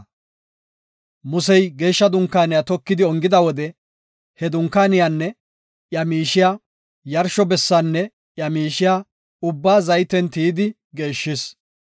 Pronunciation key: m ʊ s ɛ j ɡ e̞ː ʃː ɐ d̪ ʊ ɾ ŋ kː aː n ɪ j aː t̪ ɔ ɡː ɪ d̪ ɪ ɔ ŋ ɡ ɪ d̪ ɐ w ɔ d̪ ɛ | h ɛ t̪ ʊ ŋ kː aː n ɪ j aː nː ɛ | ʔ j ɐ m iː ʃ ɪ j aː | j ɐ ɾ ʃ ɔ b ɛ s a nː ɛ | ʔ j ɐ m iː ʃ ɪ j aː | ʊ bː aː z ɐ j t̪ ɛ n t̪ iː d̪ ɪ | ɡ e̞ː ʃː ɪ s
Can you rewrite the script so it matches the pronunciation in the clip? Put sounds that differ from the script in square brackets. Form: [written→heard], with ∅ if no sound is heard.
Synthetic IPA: m ʊ s ɛ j ɡ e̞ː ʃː ɐ d̪ ʊ [ɾ→∅] ŋ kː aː n ɪ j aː t̪ ɔ [ɡː→kː] ɪ d̪ ɪ ɔ ŋ ɡ ɪ d̪ ɐ w ɔ d̪ ɛ | h ɛ [t̪→d̪] ʊ ŋ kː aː n ɪ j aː nː ɛ | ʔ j ɐ m iː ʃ ɪ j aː | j ɐ ɾ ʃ ɔ b ɛ [s→sː] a nː ɛ | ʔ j ɐ m iː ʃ ɪ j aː | ʊ bː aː z ɐ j t̪ ɛ n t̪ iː d̪ ɪ | ɡ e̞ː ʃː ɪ s